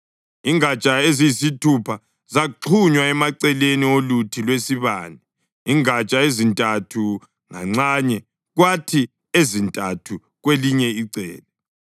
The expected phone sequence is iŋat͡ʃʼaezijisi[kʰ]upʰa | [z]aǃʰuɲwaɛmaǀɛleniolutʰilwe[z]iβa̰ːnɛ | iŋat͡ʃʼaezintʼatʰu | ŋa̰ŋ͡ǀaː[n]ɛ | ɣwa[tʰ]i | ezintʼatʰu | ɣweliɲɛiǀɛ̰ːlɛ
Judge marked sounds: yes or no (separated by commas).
no, yes, no, no, yes